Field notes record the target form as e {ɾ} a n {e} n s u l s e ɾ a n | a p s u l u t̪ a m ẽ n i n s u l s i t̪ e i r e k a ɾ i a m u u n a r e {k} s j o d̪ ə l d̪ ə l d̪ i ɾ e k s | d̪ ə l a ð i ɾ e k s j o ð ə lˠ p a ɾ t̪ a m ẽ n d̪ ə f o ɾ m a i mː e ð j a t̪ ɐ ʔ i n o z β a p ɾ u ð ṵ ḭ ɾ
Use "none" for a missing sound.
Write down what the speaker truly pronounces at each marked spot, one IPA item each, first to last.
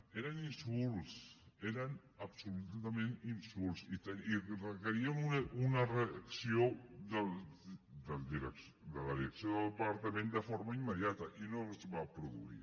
ɾ, i, k

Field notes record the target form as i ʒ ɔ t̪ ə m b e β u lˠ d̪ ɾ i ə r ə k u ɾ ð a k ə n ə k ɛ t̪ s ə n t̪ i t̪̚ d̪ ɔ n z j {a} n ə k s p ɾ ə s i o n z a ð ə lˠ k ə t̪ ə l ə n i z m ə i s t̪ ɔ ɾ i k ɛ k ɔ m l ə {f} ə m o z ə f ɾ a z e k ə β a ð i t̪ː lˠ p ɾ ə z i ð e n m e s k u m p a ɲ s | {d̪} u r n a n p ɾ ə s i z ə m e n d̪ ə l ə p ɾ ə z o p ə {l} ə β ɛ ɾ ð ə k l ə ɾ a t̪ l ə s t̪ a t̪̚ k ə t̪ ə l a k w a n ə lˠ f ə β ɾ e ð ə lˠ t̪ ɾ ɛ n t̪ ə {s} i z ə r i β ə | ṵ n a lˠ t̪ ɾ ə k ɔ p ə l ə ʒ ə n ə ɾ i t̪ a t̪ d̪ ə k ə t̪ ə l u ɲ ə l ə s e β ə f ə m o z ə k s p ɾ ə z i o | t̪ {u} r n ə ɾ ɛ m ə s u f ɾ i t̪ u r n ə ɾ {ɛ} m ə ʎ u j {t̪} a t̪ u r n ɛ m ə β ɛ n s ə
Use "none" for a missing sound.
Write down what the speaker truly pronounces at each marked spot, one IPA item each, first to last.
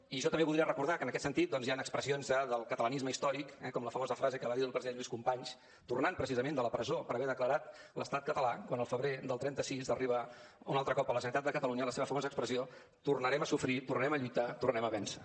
a, f, t̪, ɾ, s, u, ɛ, t̪

